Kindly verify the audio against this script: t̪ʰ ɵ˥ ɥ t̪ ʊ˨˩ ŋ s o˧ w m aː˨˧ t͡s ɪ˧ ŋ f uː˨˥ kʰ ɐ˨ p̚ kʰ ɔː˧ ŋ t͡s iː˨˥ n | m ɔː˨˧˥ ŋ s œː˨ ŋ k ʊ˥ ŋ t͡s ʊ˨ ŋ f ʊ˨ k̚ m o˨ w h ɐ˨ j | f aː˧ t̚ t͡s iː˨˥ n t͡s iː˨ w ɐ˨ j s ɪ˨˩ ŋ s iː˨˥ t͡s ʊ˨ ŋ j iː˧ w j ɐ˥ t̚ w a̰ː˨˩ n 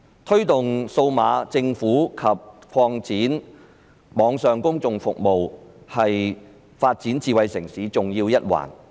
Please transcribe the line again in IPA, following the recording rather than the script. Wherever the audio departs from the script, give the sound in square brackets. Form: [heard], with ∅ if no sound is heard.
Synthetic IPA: t̪ʰ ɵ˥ ɥ t̪ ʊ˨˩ ŋ s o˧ w m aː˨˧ t͡s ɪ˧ ŋ f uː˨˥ kʰ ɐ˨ p̚ kʰ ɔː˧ ŋ t͡s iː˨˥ n | m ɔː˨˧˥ ŋ s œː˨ ŋ k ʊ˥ ŋ t͡s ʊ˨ ŋ f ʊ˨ k̚ m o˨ w h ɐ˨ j | f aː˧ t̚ t͡s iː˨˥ n t͡s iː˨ w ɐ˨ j s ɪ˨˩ ŋ s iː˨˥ t͡s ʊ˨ ŋ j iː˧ w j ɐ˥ t̚ w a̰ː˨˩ n